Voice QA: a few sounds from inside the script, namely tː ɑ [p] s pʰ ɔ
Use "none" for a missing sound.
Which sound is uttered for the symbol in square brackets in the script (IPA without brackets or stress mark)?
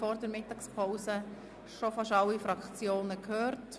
k